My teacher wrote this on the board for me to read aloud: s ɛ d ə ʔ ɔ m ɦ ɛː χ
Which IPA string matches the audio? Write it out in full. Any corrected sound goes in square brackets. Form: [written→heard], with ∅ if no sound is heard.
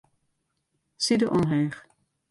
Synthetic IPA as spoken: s [ɛ→i] d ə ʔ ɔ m ɦ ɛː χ